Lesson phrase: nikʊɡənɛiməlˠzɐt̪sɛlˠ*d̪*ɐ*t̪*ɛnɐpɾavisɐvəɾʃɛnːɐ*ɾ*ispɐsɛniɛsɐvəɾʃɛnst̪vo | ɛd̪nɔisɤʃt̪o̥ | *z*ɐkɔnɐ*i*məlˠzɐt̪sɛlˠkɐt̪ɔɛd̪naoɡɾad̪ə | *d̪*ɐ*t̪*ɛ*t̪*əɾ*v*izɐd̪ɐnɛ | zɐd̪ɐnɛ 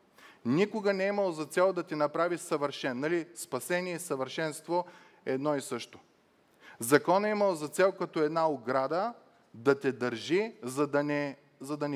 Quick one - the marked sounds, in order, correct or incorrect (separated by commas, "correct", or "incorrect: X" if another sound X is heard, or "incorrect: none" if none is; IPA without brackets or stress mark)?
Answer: correct, correct, incorrect: l, correct, correct, correct, correct, incorrect: d̪, incorrect: ʒ